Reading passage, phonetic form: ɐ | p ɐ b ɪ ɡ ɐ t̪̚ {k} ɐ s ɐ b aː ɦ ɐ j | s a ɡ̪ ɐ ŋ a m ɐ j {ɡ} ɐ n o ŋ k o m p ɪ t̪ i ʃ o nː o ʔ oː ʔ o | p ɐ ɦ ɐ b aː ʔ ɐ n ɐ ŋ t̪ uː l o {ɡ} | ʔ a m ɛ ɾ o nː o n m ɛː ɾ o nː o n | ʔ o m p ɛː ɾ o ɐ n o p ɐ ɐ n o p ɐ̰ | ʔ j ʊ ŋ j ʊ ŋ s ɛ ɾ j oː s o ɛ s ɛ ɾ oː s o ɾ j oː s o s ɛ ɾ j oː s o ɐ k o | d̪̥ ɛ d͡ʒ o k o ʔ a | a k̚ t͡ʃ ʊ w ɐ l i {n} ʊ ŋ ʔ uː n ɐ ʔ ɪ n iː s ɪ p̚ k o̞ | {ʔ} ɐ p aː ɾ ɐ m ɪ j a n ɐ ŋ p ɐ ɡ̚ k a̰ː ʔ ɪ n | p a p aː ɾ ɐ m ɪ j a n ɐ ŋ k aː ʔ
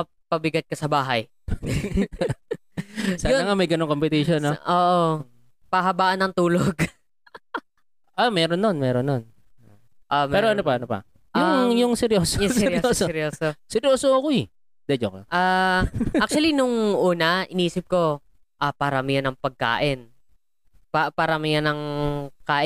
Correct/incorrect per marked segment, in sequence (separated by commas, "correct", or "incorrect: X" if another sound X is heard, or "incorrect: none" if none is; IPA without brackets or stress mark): correct, correct, correct, correct, correct